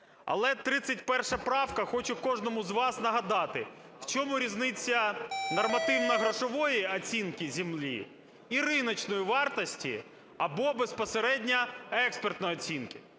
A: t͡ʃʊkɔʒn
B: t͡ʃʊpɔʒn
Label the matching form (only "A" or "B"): A